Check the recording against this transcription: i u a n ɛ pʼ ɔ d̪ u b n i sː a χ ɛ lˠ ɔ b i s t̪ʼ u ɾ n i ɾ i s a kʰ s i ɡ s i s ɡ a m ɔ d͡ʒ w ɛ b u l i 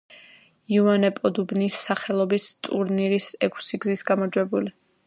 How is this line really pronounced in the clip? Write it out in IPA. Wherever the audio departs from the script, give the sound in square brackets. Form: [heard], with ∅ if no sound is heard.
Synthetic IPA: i u a n ɛ pʼ ɔ d̪ u b n i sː a χ ɛ lˠ ɔ b i s t̪ʼ u ɾ n i ɾ i s [ɛ] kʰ s i ɡ [z] i s ɡ a m ɔ d͡ʒ w ɛ b u l i